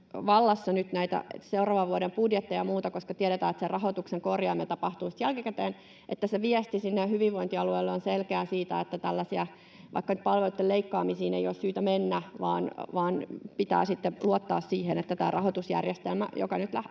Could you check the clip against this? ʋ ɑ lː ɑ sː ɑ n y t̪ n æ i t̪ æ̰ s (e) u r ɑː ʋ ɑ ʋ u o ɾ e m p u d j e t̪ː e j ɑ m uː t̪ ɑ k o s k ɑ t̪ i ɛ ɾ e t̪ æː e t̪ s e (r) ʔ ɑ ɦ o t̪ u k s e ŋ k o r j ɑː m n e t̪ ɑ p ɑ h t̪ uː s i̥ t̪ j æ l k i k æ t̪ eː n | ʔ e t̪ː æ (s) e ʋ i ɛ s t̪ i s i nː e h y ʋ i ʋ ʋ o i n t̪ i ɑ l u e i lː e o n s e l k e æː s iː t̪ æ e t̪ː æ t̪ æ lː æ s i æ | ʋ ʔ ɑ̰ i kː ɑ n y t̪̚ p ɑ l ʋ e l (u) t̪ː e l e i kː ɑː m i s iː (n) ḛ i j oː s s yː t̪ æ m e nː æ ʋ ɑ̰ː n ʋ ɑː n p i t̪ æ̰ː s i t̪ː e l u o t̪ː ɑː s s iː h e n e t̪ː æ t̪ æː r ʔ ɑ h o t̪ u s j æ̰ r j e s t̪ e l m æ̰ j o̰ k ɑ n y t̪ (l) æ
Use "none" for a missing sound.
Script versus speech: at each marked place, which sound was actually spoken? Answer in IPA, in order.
e, r, s, u, n, l

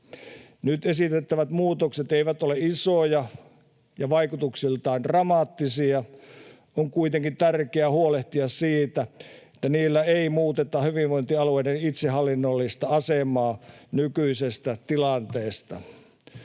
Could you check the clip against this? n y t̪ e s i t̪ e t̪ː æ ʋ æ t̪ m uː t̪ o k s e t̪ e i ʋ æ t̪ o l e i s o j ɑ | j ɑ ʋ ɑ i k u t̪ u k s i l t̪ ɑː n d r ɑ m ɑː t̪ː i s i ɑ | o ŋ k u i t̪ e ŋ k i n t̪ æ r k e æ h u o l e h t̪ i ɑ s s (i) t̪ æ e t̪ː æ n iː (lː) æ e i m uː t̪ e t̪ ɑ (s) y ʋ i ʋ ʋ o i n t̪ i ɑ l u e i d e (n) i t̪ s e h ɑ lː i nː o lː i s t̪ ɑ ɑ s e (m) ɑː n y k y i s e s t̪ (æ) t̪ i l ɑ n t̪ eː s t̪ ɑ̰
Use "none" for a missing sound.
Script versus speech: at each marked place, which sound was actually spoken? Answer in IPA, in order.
iː, lː, h, n, m, æ

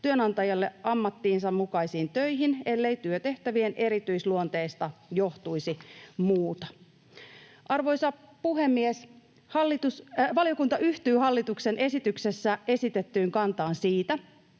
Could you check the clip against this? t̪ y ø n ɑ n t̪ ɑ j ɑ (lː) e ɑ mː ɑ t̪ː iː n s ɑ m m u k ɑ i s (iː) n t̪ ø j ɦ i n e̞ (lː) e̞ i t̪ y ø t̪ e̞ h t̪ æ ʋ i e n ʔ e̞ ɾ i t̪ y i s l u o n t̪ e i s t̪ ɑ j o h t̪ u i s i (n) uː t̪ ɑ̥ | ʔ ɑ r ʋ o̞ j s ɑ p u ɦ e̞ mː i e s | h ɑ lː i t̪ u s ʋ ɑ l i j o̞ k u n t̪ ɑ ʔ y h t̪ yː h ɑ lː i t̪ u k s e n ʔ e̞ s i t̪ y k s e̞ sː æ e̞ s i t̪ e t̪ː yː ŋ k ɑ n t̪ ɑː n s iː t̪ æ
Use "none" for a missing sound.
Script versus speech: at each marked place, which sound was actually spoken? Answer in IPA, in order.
lː, iː, lː, m

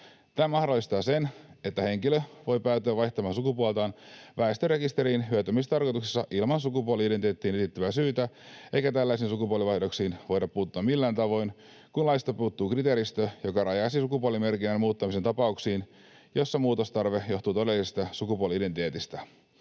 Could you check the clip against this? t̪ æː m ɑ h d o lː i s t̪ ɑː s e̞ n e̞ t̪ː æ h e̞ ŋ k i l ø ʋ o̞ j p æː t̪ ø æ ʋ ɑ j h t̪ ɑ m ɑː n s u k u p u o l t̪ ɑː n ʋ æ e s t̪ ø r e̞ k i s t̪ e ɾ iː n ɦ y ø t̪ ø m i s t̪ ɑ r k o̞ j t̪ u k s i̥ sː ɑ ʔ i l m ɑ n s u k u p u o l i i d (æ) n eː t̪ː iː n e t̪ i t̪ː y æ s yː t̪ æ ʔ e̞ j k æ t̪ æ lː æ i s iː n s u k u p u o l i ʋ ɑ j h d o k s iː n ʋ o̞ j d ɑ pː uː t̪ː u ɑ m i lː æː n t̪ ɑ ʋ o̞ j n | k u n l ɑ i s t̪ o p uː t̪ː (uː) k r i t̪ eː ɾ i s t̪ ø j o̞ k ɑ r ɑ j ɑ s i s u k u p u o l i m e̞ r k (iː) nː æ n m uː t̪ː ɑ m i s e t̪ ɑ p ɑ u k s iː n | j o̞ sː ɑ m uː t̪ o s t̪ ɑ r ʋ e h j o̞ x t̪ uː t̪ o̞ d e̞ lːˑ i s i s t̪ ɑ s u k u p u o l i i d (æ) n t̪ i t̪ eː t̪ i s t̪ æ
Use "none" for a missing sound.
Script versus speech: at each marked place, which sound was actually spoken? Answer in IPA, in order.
e, uː, i, e

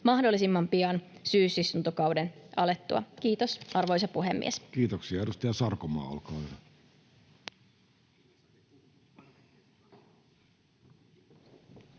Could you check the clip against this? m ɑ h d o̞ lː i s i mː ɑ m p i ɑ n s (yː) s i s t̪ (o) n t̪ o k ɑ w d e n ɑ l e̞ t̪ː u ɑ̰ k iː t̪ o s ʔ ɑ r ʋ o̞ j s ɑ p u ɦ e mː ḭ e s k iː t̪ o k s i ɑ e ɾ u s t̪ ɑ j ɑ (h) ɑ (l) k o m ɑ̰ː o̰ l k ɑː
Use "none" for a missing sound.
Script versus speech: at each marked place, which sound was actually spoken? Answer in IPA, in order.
yː, u, s, r

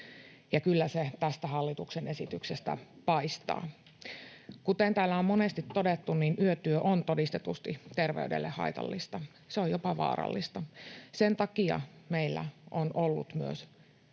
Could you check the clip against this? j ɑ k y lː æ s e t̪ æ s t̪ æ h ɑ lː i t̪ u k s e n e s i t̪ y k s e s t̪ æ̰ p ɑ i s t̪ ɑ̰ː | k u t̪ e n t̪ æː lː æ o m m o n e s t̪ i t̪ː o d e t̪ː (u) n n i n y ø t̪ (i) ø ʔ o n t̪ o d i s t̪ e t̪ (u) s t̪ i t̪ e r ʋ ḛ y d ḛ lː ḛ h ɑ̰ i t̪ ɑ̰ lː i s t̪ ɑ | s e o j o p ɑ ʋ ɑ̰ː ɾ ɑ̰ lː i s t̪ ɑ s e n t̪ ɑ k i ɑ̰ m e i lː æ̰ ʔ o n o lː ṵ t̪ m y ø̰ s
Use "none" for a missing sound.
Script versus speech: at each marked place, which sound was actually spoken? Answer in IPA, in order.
u, y, u

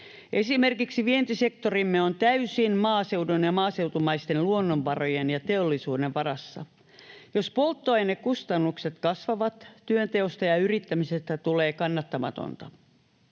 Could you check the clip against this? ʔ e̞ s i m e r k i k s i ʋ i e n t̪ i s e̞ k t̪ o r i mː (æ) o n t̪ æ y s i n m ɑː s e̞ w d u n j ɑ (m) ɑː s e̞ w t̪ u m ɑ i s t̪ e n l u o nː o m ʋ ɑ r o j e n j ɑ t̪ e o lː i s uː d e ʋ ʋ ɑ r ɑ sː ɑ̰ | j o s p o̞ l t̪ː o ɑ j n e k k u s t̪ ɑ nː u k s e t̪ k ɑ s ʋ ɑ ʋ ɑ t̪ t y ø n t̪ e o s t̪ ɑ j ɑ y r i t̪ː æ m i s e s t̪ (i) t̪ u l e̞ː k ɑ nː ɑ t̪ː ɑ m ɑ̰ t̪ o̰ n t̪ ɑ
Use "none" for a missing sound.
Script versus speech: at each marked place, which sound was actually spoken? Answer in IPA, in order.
e, m, æ

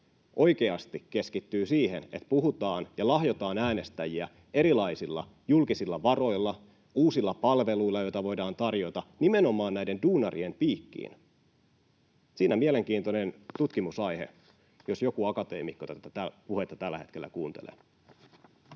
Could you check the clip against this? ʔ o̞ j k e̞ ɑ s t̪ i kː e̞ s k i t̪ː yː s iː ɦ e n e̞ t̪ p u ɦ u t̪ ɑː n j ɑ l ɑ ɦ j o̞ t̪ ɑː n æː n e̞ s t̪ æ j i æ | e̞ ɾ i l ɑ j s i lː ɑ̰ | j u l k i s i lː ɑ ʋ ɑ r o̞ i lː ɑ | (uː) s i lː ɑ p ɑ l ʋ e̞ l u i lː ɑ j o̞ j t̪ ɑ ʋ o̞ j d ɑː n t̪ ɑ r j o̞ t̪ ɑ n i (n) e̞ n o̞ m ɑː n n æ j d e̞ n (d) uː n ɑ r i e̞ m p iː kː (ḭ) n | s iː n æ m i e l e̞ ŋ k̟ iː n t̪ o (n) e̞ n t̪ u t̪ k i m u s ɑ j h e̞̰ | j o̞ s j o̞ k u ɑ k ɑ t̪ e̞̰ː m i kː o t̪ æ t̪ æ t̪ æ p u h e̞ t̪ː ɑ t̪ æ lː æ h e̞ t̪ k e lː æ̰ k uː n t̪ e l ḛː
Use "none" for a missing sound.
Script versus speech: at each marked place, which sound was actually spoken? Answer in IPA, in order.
uː, m, d, ḭː, n

